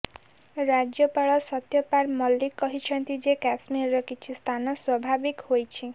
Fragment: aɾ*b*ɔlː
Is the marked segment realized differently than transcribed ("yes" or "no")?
yes